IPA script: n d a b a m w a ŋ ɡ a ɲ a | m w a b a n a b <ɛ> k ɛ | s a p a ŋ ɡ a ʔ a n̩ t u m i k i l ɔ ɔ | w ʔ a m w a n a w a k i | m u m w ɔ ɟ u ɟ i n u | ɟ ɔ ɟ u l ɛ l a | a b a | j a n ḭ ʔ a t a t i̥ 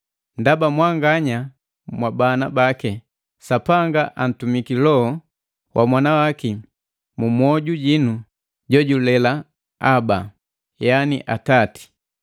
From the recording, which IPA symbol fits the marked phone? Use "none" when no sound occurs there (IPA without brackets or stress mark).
a